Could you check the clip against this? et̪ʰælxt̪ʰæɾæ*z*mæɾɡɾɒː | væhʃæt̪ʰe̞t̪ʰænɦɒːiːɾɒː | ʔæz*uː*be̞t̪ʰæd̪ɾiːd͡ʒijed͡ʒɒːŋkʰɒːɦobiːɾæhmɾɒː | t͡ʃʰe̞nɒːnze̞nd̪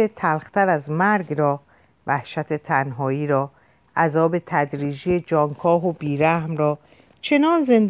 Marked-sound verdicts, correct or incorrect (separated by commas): correct, incorrect